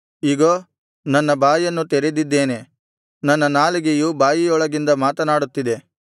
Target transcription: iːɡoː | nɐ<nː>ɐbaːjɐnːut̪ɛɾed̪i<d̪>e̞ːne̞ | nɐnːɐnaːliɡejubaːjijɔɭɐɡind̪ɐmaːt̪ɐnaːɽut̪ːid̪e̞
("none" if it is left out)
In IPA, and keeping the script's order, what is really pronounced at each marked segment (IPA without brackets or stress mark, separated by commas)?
nː, d̪ː